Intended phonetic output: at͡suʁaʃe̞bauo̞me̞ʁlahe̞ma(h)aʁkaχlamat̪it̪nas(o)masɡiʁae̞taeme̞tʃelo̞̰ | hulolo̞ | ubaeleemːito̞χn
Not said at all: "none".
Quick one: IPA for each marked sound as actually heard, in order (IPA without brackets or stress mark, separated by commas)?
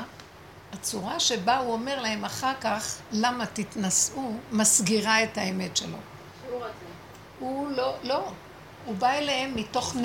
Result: χ, u